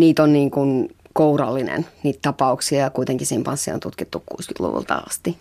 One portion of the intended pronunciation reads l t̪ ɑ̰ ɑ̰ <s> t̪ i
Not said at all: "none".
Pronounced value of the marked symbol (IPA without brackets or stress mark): s